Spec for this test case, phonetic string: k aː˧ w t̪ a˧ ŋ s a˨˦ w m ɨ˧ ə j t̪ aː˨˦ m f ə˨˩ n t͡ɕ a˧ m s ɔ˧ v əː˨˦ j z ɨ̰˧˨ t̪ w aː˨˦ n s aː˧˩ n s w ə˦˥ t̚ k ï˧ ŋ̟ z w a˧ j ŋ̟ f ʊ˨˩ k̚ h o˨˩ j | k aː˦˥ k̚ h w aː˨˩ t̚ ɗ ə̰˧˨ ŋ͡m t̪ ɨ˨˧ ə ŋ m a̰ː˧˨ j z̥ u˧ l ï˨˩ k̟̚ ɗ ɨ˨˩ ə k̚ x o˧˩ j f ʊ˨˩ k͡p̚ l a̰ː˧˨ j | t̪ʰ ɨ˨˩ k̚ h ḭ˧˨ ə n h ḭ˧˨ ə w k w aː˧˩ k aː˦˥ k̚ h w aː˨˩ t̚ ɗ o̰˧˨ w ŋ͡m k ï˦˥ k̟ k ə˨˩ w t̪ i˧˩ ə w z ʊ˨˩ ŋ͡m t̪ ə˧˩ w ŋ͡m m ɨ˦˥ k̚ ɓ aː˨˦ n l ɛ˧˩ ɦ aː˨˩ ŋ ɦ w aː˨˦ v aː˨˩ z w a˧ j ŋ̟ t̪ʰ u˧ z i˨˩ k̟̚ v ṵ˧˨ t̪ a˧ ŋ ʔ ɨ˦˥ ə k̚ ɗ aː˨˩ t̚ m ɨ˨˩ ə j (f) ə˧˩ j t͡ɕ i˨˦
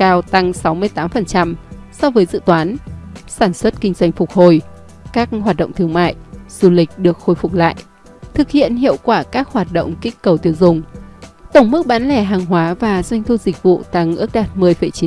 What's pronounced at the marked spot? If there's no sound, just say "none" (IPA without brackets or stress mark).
f